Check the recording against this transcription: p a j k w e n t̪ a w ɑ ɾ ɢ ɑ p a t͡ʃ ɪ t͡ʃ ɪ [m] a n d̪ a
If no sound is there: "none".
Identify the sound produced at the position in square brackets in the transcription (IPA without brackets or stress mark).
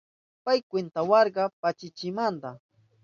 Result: m